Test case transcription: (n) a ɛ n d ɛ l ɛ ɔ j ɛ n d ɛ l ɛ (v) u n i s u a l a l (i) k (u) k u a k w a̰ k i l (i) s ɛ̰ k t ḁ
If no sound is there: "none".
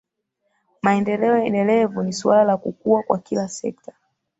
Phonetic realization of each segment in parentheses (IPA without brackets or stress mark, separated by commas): m, v, a, u, a